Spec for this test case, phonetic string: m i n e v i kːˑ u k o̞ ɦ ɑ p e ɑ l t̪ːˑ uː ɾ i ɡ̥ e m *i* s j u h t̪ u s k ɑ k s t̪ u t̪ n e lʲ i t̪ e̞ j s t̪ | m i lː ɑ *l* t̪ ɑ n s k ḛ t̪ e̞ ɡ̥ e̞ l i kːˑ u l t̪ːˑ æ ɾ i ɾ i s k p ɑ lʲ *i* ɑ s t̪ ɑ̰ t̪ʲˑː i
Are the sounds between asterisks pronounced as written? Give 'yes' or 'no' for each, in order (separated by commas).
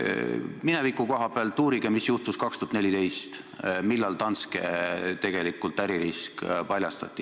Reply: yes, yes, no